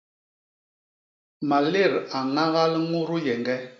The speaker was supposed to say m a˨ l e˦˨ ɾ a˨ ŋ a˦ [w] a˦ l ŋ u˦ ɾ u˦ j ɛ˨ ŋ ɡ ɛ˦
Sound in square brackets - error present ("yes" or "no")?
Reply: yes